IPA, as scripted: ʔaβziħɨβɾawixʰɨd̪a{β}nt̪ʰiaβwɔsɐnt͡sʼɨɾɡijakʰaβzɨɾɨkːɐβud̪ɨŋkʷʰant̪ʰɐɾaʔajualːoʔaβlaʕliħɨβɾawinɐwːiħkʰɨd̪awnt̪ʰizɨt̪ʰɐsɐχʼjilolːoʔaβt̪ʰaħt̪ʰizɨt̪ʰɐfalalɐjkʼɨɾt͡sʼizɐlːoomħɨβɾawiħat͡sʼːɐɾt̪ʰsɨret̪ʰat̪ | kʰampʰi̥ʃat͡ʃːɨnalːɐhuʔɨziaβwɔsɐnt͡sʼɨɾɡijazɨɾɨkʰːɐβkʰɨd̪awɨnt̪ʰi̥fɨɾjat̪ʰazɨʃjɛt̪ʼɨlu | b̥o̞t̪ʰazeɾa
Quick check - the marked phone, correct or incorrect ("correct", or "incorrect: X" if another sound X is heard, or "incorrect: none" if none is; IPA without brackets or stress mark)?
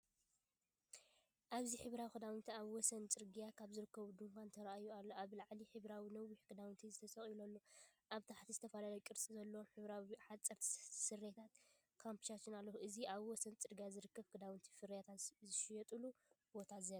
incorrect: w